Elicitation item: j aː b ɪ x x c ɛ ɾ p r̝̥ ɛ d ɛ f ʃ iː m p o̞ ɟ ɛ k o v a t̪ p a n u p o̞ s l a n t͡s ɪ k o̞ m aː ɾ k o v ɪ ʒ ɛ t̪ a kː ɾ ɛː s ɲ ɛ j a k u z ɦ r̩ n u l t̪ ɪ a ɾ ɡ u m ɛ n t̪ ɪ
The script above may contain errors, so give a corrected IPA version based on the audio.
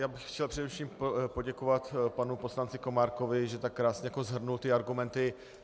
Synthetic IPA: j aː b ɪ x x c ɛ l p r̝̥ ɛ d ɛ f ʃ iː m p o̞ ɟ ɛ k o v a t̪ p a n u p o̞ s l a n t͡s ɪ k o̞ m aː ɾ k o v ɪ ʒ ɛ t̪ a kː ɾ aː s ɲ ɛ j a k o z ɦ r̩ n u l t̪ ɪ a ɾ ɡ u m ɛ n t̪ ɪ